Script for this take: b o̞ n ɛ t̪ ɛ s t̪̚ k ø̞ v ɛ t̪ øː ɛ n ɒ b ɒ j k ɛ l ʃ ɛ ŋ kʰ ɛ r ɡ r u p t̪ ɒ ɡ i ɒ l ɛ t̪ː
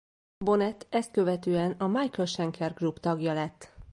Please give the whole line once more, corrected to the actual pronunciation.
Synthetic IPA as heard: b o̞ n ɛ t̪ ɛ s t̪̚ k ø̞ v ɛ t̪ øː ɛ n ɒ m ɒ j k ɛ l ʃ ɛ ŋ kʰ ɛ r ɡ r u p t̪ ɒ ɡ j ɒ l ɛ t̪ː